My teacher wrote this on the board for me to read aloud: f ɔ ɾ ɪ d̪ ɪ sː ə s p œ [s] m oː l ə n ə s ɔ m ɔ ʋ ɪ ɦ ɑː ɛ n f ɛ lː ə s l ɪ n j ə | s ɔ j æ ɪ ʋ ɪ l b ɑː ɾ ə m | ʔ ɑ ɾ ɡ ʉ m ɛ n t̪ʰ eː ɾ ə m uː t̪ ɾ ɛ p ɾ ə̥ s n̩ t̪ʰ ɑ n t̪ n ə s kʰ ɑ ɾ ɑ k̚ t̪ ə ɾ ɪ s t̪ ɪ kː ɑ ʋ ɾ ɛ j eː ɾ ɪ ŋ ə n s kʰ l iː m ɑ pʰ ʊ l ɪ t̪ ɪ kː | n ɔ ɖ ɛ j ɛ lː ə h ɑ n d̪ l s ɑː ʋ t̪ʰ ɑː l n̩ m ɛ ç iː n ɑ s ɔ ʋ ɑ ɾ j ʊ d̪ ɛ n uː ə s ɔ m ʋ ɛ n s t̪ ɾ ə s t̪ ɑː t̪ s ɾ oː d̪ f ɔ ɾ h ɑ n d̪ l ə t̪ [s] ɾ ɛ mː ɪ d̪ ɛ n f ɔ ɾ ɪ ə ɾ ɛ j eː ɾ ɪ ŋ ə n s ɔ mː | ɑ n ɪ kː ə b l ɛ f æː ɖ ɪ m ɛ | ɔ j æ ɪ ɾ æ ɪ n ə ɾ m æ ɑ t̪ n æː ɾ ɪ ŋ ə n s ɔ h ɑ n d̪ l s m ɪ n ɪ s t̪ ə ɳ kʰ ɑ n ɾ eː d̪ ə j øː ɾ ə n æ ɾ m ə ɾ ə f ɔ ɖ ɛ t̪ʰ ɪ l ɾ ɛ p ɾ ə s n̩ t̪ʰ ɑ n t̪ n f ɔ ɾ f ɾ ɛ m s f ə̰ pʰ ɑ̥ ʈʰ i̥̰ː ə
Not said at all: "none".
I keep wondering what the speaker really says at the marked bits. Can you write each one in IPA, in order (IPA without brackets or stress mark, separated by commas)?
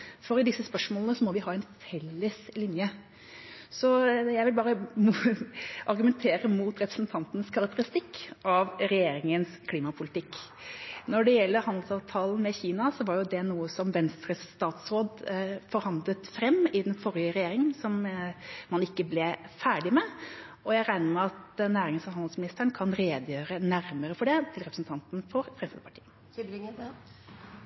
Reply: ʂ, f